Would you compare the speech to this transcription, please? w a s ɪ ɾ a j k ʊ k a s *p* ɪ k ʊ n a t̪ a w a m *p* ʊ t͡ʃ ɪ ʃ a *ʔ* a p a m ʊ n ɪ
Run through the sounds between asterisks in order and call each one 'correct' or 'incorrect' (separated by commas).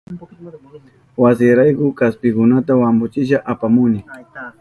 correct, incorrect, correct